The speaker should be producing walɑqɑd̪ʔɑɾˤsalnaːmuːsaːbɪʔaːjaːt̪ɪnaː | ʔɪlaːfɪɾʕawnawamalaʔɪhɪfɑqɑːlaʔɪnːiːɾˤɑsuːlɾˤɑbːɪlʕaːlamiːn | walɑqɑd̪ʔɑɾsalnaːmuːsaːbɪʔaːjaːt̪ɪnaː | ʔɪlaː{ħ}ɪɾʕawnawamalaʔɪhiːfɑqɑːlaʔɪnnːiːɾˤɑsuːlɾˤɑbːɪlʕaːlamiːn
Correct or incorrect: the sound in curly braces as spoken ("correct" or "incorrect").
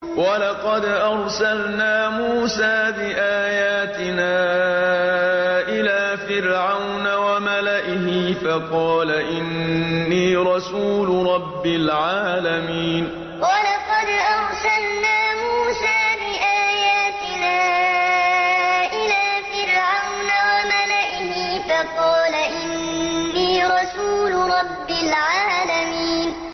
incorrect